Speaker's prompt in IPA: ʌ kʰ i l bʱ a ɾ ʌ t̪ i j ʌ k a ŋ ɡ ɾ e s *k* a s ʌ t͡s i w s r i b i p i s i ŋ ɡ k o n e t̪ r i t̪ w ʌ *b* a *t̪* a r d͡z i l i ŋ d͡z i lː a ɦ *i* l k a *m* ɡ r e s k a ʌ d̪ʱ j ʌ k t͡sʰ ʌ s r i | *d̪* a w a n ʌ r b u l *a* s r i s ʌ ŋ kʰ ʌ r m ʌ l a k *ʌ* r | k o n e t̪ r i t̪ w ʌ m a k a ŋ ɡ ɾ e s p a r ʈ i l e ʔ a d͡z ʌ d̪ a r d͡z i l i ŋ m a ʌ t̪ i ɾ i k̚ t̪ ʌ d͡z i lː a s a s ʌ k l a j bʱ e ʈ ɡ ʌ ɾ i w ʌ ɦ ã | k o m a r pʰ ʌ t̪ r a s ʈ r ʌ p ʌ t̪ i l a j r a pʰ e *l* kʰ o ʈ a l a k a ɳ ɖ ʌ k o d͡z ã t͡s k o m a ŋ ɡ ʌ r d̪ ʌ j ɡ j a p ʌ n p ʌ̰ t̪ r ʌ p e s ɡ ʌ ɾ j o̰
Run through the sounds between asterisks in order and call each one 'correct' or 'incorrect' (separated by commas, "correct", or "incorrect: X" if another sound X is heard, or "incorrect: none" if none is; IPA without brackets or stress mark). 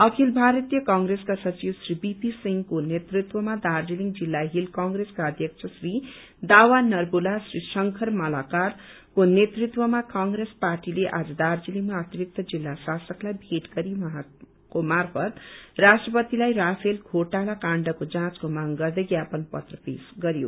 correct, incorrect: m, incorrect: d̪, correct, incorrect: ŋ, correct, correct, incorrect: a, correct